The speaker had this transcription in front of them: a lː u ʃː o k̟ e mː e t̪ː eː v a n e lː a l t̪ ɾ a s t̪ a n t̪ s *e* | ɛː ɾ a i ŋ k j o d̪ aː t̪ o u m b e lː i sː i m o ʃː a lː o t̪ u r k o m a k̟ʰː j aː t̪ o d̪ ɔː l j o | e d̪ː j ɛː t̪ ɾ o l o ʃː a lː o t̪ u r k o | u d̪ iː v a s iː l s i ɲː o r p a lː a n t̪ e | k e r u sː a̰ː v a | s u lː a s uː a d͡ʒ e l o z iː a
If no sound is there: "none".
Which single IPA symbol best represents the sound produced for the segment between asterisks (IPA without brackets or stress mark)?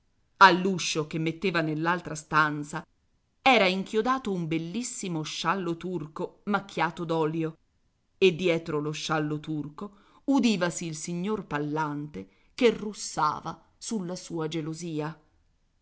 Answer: a